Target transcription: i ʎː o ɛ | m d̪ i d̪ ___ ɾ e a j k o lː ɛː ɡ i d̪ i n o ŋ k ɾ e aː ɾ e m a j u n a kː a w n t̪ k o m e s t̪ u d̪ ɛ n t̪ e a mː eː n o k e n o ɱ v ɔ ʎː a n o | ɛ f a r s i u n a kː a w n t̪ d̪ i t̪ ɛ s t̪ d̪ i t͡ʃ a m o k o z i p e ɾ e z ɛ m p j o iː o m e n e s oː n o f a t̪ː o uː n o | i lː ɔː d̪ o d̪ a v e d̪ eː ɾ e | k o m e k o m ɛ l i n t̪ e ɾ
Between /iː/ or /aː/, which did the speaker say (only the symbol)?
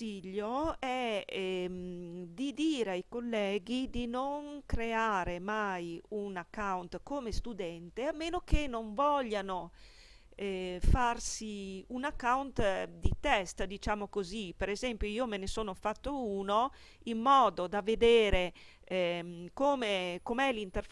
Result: iː